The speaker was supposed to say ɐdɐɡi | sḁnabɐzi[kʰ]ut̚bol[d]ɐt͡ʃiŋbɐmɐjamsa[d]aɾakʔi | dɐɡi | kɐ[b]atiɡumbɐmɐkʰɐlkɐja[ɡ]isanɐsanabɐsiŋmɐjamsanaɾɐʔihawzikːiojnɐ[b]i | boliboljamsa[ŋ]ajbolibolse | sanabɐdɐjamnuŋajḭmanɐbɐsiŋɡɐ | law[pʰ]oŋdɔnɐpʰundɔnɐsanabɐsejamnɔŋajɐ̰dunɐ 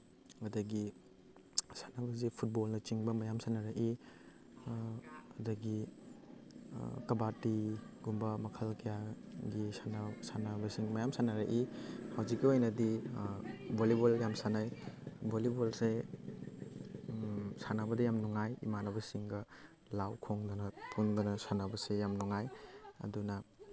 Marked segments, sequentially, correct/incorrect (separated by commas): incorrect, incorrect, incorrect, correct, correct, incorrect, incorrect, incorrect